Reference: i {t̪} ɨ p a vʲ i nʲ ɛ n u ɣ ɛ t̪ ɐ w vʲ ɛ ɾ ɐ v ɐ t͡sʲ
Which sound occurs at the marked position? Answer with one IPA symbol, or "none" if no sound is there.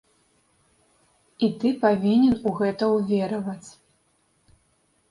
t̪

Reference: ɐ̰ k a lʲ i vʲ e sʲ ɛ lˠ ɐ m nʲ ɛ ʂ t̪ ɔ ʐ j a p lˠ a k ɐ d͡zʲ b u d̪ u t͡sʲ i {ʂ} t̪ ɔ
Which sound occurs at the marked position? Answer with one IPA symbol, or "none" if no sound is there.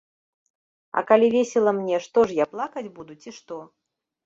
ʂ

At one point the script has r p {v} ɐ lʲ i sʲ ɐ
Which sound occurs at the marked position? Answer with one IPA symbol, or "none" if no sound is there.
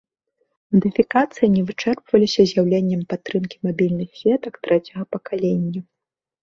v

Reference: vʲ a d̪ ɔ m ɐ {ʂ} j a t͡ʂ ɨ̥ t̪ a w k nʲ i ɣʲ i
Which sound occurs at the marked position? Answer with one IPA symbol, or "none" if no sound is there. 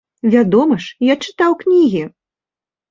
ʂ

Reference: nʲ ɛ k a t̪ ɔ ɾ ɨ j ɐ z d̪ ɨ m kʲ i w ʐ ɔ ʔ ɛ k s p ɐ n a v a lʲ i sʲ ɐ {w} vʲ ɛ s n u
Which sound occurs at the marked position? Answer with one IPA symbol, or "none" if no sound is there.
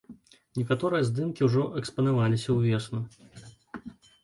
w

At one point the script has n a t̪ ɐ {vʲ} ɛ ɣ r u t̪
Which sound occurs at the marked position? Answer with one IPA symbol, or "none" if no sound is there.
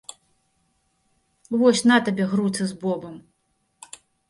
bʲ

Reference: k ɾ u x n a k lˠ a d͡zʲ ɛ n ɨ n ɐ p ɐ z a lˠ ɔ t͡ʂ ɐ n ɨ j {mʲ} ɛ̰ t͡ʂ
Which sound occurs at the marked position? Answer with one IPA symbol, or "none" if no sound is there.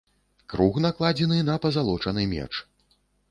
mʲ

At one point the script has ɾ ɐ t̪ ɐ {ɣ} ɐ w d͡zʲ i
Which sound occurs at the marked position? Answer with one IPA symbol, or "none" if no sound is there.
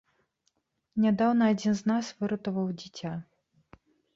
v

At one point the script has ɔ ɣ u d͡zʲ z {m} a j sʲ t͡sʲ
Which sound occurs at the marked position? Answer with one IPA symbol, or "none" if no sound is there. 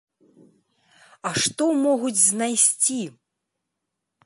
n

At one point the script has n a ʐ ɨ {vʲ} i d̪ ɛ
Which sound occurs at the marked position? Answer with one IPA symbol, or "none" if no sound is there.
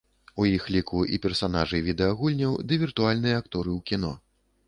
vʲ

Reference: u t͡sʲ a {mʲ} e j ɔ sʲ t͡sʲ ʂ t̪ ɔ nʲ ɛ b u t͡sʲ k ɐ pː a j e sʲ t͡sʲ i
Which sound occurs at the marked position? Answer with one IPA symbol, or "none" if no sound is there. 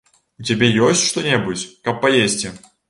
bʲ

